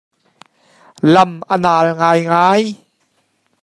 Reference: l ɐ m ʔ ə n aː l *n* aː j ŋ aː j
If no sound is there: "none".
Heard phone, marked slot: ŋ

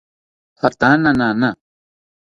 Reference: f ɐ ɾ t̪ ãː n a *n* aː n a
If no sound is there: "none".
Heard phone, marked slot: n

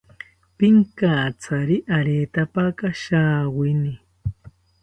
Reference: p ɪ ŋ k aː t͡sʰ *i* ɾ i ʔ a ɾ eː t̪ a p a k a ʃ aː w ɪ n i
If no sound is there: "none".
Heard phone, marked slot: a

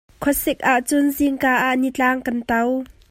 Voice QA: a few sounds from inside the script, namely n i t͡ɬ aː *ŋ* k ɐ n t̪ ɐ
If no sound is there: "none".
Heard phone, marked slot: ŋ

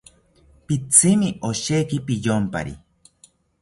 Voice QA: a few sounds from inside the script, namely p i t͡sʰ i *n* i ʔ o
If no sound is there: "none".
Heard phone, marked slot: m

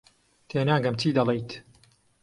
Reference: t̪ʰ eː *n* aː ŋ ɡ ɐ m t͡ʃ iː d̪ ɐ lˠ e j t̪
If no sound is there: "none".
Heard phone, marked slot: n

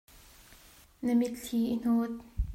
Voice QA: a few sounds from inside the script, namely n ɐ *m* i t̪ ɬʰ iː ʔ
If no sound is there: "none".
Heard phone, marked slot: m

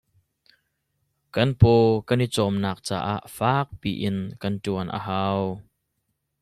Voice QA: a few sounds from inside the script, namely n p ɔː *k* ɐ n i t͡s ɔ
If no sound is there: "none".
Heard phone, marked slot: k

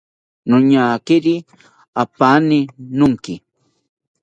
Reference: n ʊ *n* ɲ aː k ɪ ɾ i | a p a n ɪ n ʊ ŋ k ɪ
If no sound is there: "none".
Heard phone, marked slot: none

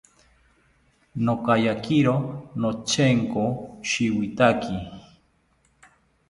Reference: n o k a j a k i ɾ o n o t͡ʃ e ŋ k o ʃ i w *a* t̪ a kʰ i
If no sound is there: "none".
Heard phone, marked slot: i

